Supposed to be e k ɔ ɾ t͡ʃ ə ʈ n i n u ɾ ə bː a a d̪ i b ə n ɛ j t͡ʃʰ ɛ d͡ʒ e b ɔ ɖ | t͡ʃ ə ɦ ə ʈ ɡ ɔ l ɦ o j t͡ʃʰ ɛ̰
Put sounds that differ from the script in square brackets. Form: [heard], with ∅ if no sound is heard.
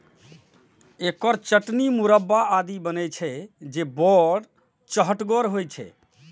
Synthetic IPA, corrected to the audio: e k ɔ ɾ t͡ʃ ə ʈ n i [m] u ɾ ə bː a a d̪ i b ə n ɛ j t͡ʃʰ ɛ d͡ʒ e b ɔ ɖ | t͡ʃ ə ɦ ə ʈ ɡ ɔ [ɾ] ɦ o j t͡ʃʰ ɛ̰